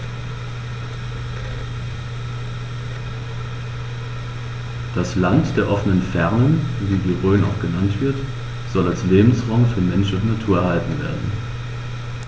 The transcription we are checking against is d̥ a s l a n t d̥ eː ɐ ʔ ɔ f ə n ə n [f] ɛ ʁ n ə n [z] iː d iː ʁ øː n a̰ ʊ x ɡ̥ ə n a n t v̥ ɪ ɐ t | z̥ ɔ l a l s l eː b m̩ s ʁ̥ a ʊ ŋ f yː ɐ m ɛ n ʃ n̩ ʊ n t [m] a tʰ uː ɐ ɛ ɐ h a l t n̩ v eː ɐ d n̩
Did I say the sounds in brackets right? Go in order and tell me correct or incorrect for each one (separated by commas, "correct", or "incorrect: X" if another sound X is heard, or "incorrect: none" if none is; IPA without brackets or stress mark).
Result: correct, incorrect: v, incorrect: n